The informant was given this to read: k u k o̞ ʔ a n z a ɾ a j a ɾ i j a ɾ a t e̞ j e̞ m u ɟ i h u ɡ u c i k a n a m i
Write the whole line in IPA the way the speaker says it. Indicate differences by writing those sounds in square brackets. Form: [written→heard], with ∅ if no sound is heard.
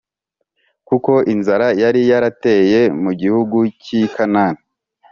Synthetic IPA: k u k o̞ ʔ [a→i] n z a ɾ a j a ɾ i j a ɾ a t e̞ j e̞ m u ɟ i h u ɡ u c i k a n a [m→n] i